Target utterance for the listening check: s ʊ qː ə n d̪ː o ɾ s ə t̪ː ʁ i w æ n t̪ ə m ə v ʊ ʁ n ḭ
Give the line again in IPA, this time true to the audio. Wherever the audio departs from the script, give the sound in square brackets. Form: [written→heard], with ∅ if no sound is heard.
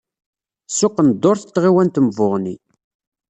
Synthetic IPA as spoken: s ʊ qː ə n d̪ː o ɾ [s→θ] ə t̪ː ʁ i w æ n t̪ ə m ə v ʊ ʁ n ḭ